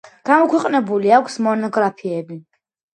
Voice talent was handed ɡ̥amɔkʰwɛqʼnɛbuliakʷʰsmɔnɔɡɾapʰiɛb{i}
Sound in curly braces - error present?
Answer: no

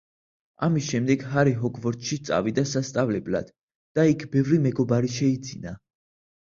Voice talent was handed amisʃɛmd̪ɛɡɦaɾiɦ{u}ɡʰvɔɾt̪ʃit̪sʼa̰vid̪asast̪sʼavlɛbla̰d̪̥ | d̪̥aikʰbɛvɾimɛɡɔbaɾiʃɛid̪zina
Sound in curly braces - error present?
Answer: yes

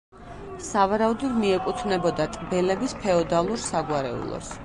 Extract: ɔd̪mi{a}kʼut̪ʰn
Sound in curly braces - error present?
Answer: yes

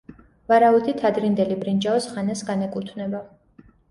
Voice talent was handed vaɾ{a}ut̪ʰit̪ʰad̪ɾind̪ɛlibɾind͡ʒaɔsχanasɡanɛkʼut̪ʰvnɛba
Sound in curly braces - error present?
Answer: no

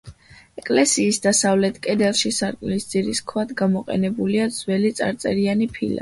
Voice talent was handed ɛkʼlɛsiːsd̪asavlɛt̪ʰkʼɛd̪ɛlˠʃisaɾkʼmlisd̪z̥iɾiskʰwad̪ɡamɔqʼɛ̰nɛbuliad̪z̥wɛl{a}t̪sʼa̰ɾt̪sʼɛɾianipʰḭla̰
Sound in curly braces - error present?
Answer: yes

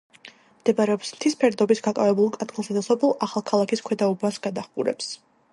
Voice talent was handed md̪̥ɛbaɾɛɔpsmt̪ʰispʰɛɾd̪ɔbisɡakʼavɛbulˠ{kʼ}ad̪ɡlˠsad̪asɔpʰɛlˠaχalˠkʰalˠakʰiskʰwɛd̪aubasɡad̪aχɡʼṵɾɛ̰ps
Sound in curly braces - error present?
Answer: no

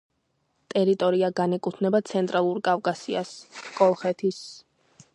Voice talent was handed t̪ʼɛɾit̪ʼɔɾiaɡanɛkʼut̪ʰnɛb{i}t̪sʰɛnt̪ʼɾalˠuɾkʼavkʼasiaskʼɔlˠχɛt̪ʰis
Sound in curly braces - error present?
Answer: yes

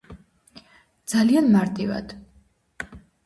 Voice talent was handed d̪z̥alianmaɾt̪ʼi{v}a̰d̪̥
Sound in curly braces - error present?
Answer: no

